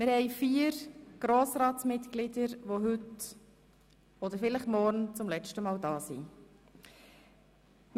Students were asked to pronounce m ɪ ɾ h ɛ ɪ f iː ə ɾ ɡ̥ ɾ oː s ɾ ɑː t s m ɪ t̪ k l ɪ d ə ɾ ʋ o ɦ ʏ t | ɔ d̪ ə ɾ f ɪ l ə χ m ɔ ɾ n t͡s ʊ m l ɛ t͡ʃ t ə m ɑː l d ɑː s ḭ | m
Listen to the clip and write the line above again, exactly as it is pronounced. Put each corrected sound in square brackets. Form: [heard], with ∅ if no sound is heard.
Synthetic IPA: m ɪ ɾ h ɛ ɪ f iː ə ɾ ɡ̥ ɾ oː s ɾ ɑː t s m ɪ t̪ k l ɪ d ə ɾ ʋ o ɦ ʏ t | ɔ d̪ ə ɾ f ɪ l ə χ m ɔ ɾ n t͡s ʊ m l ɛ t͡ʃ t ə m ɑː l d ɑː s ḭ | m